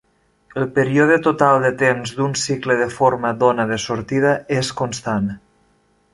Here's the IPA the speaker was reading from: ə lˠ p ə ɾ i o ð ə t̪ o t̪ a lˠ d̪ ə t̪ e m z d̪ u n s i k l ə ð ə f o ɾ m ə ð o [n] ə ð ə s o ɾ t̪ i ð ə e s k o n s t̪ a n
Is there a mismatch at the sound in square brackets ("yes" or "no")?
no